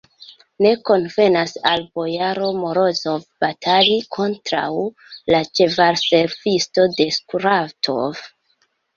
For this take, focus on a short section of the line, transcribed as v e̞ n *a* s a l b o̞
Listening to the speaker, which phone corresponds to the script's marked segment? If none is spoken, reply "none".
a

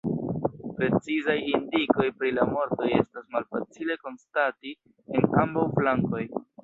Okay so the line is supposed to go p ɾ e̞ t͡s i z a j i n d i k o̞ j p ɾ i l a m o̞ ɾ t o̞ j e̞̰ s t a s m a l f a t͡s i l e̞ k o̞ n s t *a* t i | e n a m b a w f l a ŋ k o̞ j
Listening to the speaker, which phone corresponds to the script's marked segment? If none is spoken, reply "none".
a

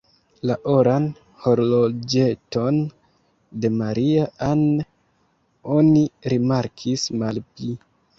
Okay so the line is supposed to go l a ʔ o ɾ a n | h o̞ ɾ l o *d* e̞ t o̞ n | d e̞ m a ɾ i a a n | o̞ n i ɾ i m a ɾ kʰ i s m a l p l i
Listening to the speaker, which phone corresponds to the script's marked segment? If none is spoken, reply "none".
d͡ʒ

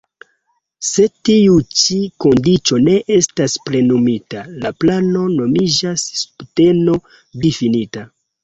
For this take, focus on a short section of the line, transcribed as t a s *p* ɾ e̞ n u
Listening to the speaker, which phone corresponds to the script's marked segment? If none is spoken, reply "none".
p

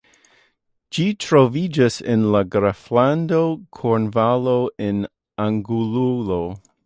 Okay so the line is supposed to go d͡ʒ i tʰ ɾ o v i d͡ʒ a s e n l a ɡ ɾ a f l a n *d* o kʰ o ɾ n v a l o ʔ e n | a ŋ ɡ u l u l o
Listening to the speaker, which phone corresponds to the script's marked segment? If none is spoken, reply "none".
d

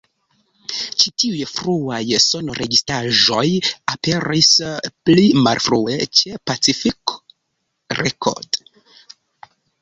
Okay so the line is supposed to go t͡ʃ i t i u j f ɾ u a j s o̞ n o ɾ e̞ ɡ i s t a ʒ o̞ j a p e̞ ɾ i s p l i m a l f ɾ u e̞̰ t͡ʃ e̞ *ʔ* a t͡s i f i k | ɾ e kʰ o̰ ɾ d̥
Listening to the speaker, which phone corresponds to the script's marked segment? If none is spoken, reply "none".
p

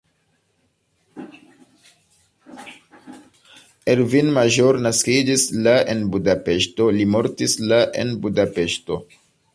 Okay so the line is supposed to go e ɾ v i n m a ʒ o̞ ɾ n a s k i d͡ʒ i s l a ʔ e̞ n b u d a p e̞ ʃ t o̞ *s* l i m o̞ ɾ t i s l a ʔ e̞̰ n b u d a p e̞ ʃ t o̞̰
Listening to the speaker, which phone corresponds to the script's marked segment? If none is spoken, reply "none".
none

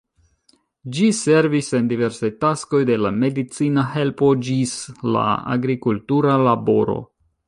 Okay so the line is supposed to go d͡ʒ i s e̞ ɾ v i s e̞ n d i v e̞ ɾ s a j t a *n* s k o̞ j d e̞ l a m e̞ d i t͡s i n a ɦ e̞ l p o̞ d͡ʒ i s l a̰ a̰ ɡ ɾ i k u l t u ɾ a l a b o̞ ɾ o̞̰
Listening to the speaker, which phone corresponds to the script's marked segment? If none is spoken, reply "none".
none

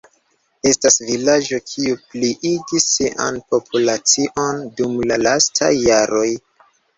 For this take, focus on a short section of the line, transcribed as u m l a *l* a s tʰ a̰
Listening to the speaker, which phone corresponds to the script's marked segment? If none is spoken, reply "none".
l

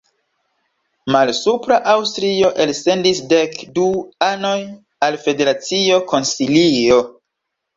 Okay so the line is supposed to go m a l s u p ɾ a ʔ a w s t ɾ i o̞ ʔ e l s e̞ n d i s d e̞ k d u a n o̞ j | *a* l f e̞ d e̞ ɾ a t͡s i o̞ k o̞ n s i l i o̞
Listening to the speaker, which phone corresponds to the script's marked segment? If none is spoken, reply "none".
a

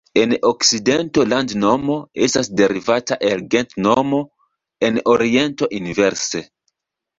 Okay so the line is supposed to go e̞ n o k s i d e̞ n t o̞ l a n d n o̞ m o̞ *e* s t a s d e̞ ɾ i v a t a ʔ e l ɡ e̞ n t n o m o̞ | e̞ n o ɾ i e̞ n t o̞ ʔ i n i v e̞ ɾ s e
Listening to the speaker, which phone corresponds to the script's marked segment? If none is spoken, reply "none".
e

